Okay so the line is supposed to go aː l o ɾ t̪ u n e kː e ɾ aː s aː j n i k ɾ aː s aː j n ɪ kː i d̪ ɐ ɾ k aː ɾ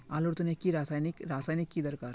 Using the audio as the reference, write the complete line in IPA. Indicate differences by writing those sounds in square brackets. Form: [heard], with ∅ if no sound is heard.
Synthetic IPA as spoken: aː l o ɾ t̪ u n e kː [i] ɾ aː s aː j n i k ɾ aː s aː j n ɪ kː i d̪ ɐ ɾ k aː ɾ